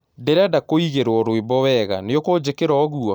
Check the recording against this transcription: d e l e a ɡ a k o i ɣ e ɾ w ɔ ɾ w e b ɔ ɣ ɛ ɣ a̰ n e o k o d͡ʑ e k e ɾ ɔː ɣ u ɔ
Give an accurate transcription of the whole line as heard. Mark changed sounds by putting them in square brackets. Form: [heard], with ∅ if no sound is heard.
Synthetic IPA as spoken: d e [ɾ] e a [d] a k o i ɣ e ɾ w ɔ ɾ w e b ɔ [w] ɛ ɣ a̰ n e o k o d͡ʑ e k e ɾ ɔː ɣ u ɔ